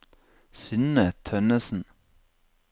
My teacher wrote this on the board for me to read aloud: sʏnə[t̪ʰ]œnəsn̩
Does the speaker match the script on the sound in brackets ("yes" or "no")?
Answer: yes